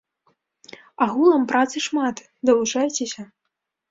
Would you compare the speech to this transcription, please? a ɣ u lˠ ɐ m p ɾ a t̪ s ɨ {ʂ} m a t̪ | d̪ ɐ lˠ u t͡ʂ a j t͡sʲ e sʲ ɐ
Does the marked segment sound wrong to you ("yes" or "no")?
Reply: no